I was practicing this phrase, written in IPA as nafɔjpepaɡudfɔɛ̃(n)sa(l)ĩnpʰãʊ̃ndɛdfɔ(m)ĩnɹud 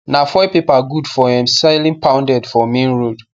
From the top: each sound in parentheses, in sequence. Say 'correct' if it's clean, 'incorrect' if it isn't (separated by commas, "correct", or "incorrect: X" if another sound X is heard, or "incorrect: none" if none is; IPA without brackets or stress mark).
incorrect: m, correct, correct